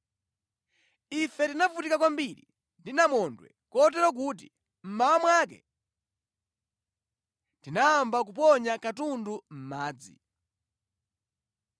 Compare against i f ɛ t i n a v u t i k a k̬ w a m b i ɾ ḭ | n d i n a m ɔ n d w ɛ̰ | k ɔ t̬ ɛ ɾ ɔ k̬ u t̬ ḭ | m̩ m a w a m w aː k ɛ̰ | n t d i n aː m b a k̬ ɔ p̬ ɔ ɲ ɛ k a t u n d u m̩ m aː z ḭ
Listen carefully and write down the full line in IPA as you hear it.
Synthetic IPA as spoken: i f ɛ t i n a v u t i k a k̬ w a m b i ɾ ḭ | n d i n a m ɔ n d w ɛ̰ | k ɔ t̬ ɛ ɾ ɔ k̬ u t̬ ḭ | m̩ m a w a m w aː k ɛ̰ | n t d i n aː m b a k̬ u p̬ ɔ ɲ a k a t u n d u m̩ m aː d͡z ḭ